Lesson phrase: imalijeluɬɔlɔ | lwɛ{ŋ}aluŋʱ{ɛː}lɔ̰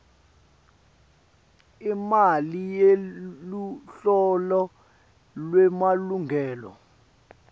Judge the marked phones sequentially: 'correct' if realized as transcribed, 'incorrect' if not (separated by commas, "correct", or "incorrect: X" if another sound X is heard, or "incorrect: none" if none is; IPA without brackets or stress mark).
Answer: incorrect: m, correct